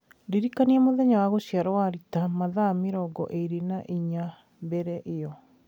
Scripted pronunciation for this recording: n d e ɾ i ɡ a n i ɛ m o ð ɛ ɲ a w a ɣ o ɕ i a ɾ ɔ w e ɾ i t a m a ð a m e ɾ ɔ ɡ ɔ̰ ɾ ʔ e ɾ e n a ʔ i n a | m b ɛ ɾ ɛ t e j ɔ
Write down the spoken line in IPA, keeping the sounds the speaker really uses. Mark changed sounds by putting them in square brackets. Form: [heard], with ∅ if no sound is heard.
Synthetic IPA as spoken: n d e ɾ i [k] a n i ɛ m o ð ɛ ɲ a w a ɣ o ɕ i a ɾ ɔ w [a] ɾ i t a m a ð a m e ɾ ɔ ɡ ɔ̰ [∅] ʔ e ɾ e n a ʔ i [ɲ] a | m b ɛ ɾ ɛ [ʔ] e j ɔ